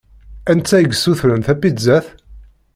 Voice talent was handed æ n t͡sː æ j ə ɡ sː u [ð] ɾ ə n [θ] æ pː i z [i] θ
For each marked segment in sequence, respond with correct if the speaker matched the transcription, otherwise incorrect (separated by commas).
incorrect, correct, incorrect